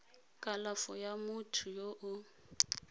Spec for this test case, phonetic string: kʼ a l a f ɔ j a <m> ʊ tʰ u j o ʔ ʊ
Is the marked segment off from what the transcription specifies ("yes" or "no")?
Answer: no